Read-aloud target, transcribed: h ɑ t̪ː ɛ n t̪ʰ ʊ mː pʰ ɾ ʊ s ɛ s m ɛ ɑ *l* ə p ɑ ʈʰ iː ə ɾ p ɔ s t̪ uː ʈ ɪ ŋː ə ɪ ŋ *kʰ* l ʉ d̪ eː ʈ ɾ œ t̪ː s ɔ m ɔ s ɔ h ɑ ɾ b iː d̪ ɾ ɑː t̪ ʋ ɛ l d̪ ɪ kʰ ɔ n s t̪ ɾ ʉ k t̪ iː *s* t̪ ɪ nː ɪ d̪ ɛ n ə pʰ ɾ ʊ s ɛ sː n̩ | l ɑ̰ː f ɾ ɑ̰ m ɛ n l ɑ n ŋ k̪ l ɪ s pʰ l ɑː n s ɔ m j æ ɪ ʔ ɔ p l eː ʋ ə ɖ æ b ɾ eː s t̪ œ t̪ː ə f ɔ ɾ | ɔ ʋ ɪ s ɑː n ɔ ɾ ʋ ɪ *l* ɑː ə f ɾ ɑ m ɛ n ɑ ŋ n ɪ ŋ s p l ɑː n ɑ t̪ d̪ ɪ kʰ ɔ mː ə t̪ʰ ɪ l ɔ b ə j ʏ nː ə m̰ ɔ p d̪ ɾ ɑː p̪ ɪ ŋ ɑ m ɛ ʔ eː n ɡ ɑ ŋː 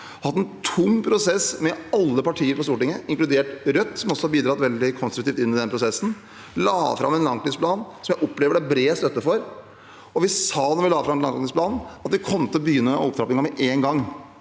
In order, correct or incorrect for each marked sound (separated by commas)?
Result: incorrect, incorrect, incorrect, correct